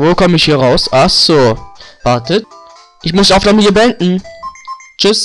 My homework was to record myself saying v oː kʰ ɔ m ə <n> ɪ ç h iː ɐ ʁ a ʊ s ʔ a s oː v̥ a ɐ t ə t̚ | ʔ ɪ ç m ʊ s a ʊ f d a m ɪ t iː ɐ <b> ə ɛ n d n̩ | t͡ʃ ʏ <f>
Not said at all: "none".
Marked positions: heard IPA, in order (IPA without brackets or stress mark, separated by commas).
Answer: none, b, s